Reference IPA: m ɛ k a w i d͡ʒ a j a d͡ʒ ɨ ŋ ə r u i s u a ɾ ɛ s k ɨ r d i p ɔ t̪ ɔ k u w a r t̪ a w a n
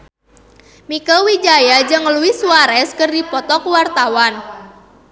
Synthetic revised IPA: m i k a w i d͡ʒ a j a d͡ʒ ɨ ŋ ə l u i s u a ɾ ɛ s k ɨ r d i p ɔ t̪ ɔ k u w a r t̪ a w a n